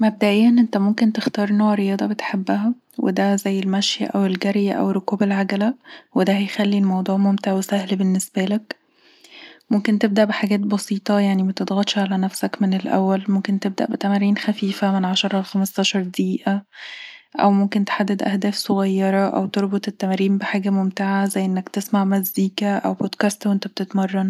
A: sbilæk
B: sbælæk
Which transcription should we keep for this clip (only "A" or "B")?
B